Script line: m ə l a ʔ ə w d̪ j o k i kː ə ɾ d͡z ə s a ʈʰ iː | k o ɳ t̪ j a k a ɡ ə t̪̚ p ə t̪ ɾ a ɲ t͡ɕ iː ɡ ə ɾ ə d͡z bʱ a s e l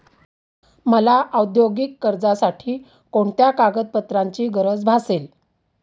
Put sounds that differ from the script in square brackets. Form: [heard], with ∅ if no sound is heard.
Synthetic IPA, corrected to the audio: m ə l a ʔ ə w d̪ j o [ɡ] i kː ə ɾ d͡z [a] s a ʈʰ iː | k o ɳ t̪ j a k a ɡ ə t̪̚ p ə t̪ ɾ a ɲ t͡ɕ iː ɡ ə ɾ ə d͡z bʱ a s e l